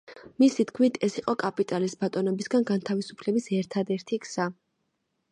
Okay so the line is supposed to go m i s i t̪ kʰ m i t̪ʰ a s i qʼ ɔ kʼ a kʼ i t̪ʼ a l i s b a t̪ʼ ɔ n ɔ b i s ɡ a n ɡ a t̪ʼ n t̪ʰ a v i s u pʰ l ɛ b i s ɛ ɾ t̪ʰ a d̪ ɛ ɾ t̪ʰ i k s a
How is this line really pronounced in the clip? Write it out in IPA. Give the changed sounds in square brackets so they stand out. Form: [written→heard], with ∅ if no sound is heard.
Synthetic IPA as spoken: m i s i t̪ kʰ m i t̪ʰ [a→ɛ] s i qʼ ɔ kʼ a [kʼ→pʼ] i t̪ʼ a l i s b a t̪ʼ ɔ n ɔ b i s ɡ a n ɡ a [t̪ʼ→∅] n t̪ʰ a v i s u pʰ l ɛ b i s ɛ ɾ t̪ʰ a d̪ ɛ ɾ t̪ʰ i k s a